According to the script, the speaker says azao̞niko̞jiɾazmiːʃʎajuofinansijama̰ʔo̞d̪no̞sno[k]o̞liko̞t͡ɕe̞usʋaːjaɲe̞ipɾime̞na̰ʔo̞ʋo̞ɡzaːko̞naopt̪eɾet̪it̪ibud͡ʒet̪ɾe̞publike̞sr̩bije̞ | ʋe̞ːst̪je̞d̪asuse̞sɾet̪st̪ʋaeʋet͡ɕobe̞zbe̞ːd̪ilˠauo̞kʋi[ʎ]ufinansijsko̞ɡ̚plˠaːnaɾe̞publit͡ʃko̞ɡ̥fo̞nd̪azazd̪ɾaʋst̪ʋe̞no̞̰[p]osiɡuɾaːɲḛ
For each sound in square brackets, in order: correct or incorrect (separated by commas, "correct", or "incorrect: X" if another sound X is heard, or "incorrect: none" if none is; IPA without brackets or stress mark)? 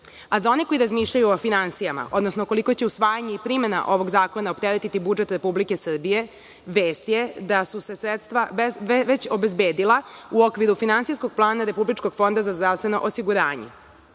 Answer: correct, incorrect: ɾ, incorrect: ʔ